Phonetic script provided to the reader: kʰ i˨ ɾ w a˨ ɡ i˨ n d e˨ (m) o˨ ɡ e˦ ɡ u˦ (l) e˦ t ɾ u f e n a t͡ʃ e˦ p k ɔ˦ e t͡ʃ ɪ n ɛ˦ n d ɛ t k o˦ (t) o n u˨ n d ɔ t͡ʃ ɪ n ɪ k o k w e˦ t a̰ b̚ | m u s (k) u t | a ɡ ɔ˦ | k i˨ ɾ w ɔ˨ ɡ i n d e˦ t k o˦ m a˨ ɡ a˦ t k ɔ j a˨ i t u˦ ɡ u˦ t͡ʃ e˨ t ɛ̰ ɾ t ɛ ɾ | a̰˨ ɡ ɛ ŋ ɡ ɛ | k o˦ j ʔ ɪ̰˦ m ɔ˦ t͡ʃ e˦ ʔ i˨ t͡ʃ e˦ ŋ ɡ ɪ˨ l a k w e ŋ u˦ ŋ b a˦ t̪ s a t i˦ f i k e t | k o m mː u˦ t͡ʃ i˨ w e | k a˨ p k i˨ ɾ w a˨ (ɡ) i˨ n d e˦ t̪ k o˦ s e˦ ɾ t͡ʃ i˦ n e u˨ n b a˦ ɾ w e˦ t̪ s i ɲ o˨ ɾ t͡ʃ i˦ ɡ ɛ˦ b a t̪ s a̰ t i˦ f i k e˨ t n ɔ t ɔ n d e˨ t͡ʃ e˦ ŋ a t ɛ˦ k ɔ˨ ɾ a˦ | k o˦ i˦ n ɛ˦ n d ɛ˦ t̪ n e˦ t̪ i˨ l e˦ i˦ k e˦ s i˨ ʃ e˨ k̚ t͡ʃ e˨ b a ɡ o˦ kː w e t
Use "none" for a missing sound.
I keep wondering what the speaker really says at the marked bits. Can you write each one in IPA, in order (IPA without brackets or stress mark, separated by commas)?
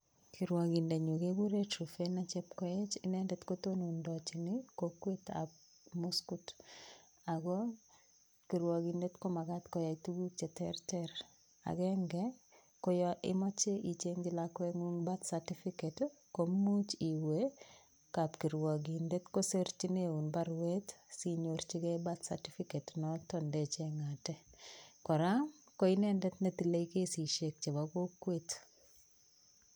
ɲ, ɾ, t, k, ɡ